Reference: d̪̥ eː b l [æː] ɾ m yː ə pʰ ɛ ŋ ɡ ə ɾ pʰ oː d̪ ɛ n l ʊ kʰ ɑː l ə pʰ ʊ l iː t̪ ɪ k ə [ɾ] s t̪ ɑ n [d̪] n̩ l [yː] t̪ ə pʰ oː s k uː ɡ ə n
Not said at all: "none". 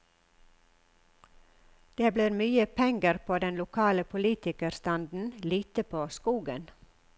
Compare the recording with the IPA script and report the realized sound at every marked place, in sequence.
iː, ɾ, d̪, iː

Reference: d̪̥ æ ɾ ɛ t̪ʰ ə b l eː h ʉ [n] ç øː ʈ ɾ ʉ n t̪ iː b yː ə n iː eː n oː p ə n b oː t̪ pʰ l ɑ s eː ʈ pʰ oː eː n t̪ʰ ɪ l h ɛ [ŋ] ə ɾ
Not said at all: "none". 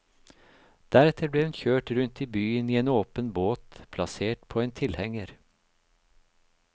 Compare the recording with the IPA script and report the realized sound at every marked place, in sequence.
n, ŋ

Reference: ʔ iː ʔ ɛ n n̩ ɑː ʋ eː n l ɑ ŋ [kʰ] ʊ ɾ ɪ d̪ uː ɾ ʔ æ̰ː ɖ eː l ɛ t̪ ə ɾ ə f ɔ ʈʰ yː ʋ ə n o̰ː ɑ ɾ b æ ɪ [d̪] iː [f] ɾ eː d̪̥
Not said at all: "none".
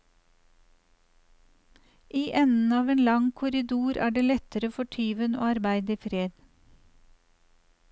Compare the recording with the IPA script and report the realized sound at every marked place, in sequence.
kʰ, d̪, f

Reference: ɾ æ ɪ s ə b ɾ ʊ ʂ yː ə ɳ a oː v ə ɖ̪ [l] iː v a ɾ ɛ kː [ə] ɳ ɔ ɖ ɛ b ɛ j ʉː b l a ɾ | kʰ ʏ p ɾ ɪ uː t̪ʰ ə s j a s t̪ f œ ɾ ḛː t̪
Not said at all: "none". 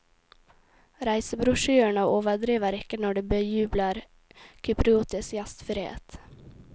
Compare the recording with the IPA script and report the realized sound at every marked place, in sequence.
ɾ, ə

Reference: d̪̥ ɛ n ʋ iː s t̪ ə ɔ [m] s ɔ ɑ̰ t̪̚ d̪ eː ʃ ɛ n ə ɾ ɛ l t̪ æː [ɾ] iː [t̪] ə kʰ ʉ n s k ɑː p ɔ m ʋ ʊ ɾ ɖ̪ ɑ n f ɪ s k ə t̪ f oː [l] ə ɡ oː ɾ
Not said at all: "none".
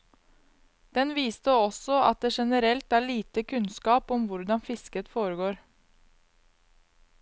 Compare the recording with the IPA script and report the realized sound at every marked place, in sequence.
none, ɭ, t̪, ɾ

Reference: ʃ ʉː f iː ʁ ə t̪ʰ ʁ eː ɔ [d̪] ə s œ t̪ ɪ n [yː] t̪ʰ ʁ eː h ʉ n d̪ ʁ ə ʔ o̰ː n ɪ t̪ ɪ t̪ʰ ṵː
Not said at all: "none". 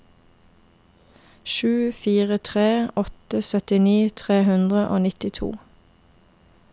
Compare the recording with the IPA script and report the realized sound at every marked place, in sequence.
t̪, iː

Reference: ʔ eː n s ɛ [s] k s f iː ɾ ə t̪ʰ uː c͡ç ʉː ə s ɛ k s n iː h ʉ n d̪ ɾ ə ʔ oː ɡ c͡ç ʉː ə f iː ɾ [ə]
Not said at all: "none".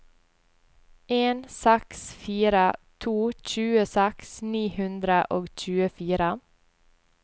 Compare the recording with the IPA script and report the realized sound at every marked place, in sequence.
none, ə

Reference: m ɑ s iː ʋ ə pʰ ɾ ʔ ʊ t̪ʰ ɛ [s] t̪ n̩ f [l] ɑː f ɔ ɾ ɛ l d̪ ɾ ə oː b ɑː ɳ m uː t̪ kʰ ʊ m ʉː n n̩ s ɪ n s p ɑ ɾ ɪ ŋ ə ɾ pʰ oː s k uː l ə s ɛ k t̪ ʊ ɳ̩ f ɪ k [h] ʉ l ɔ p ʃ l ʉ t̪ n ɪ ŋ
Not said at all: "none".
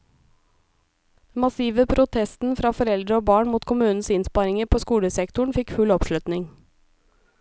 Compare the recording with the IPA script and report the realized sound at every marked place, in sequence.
s, ɾ, f

